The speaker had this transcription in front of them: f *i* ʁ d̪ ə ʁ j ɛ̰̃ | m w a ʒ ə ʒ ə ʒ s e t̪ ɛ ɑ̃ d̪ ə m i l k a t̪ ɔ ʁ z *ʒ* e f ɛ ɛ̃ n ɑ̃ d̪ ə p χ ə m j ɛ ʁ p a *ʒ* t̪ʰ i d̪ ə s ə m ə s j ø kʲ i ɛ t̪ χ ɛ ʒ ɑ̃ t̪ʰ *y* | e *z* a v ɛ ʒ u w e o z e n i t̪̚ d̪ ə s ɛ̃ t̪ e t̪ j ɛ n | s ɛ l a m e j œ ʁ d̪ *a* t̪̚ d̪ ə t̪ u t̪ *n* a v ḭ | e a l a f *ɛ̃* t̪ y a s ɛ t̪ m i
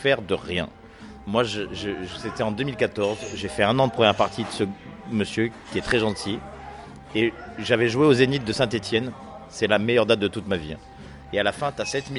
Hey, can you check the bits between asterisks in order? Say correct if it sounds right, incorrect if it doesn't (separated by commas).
incorrect, correct, incorrect, incorrect, incorrect, correct, incorrect, correct